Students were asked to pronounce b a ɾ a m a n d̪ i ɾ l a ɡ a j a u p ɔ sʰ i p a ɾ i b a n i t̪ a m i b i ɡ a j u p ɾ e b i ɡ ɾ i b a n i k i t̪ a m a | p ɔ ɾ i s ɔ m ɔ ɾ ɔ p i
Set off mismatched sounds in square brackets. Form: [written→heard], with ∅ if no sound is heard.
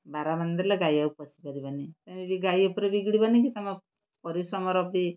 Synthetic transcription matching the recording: b a ɾ a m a n d̪ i ɾ l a ɡ a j a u p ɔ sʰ i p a ɾ i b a n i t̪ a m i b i ɡ a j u p ɾ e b i ɡ [ɾ→ɽ] i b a n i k i t̪ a m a | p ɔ ɾ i s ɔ m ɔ ɾ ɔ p i